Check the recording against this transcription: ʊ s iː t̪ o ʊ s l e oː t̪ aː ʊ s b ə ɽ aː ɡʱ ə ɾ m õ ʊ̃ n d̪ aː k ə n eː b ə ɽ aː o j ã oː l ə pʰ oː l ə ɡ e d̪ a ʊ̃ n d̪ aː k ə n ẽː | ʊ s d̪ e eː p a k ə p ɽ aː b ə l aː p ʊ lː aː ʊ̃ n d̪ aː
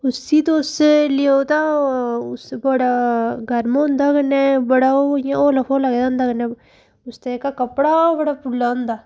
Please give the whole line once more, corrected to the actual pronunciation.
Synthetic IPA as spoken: ʊ s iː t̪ o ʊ s l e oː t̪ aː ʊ s b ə ɽ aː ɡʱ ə ɾ m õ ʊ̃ n d̪ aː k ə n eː b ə ɽ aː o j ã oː l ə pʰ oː l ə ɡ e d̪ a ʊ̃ n d̪ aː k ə n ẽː | ʊ s t̪ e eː k a k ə p ɽ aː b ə ɽ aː p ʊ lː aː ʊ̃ n d̪ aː

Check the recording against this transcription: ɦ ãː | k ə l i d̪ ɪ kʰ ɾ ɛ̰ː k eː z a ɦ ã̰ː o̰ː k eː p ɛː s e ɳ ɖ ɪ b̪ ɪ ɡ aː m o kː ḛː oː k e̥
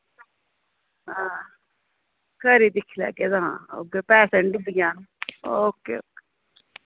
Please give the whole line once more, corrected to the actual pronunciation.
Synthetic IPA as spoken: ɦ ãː | k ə ɾ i d̪ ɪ kʰ l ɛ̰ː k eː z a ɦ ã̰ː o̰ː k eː p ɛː s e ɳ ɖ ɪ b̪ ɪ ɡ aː n o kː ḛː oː k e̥

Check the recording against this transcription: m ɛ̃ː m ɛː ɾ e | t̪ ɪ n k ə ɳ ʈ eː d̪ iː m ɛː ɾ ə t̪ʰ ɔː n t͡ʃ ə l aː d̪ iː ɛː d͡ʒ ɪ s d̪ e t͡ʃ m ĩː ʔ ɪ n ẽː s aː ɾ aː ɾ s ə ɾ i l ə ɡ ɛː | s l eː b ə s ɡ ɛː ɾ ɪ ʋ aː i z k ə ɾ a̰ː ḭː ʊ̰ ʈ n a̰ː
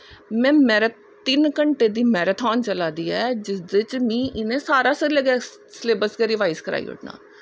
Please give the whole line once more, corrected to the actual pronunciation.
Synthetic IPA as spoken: m ɛ̃ː m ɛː ɾ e | t̪ ɪ n k ə ɳ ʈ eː d̪ iː m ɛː ɾ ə t̪ʰ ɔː n t͡ʃ ə l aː d̪ iː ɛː d͡ʒ ɪ s d̪ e t͡ʃ m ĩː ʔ ɪ n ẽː s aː ɾ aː s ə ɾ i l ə ɡ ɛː | s l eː b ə s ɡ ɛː ɾ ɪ ʋ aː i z k ə ɾ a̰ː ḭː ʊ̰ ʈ n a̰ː

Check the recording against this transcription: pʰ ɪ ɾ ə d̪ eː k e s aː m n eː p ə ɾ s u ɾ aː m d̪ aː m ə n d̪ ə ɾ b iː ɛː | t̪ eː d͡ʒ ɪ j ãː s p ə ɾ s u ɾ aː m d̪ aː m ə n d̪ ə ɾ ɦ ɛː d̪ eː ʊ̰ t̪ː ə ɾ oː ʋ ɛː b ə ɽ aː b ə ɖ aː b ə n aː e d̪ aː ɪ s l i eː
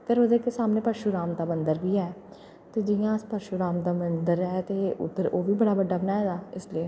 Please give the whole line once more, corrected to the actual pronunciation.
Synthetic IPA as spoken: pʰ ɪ ɾ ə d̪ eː k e s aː m n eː p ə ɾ ʃ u ɾ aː m d̪ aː m ə n d̪ ə ɾ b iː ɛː | t̪ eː d͡ʒ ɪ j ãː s p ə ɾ ʃ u ɾ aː m d̪ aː m ə n d̪ ə ɾ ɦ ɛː t̪ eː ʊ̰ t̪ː ə ɾ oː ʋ iː b ə ɽ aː b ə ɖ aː b ə n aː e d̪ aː ɪ s l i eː

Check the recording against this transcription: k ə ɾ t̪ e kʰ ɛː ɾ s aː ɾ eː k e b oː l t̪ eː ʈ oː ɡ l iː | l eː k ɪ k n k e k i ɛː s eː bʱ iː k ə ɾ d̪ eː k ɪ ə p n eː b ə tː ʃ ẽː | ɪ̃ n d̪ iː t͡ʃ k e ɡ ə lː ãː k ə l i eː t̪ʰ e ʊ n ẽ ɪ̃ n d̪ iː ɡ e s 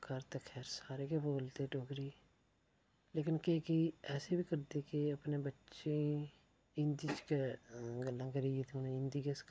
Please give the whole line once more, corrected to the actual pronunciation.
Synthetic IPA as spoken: k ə ɾ t̪ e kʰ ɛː ɾ s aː ɾ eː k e b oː l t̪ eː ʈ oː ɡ ɾ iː | l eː k ɪ n k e k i ɛː s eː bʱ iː k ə ɾ d̪ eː k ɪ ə p n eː b ə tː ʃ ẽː | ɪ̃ n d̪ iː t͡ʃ k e ɡ ə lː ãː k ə ɾ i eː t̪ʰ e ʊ n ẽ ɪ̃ n d̪ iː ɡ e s

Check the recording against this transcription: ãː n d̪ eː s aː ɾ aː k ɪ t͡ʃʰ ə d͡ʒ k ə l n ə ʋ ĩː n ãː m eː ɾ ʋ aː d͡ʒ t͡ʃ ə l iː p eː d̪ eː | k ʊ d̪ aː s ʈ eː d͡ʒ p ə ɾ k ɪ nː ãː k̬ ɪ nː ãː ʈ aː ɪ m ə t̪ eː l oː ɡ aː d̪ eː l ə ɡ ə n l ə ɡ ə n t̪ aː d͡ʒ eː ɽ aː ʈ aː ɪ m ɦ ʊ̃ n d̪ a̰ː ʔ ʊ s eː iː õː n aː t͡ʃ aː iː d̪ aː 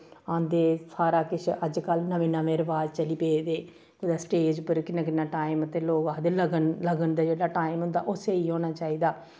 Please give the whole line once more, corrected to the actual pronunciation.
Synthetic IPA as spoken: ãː n d̪ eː s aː ɾ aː k ɪ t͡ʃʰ ə d͡ʒ k ə l n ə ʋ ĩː n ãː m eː ɾ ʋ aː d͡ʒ t͡ʃ ə l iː p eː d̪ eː | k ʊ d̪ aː s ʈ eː d͡ʒ p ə ɾ k ɪ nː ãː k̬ ɪ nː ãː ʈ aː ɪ m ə t̪ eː l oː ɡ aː d̪ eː l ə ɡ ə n l ə ɡ ə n d̪ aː d͡ʒ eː ɽ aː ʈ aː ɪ m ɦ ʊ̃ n d̪ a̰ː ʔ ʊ s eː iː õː n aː t͡ʃ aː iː d̪ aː

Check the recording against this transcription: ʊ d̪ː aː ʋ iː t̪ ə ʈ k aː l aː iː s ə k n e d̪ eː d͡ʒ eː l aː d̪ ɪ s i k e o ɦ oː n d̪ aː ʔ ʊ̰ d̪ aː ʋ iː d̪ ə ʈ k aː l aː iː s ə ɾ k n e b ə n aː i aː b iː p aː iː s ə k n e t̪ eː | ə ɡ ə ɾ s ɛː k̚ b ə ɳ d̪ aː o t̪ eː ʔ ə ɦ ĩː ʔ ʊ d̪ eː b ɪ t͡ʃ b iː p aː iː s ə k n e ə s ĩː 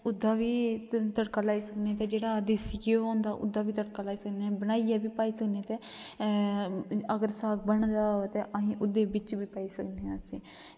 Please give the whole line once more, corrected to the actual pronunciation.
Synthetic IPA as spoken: ʊ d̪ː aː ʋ iː t̪ ə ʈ k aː l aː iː s ə k n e t̪ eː d͡ʒ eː ɽ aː d̪ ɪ s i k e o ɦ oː n d̪ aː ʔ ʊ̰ d̪ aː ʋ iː t̪ ə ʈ k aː l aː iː s ə k n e b ə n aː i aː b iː p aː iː s ə k n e t̪ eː | ə ɡ ə ɾ s aː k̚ b ə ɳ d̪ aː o t̪ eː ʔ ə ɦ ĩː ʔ ʊ d̪ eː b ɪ t͡ʃ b iː p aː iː s ə k n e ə s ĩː

